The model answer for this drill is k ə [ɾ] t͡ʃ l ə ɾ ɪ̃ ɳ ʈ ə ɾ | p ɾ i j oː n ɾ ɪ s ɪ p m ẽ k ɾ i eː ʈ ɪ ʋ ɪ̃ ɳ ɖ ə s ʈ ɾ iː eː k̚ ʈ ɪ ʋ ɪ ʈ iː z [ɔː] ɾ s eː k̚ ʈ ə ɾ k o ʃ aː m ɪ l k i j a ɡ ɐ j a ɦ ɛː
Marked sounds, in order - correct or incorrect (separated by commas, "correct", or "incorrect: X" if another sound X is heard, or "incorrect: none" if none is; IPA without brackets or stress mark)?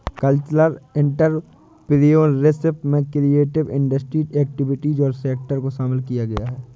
incorrect: l, correct